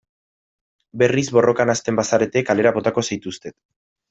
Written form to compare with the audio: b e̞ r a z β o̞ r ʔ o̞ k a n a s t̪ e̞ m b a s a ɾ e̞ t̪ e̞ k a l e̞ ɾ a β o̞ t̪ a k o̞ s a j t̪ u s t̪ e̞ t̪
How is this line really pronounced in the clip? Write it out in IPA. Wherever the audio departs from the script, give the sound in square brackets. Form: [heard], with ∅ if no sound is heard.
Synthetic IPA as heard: b e̞ r [i] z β o̞ r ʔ o̞ k a n a s t̪ e̞ m b a s a ɾ e̞ t̪ e̞ k a l e̞ ɾ a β o̞ t̪ a k o̞ s a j t̪ u s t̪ e̞ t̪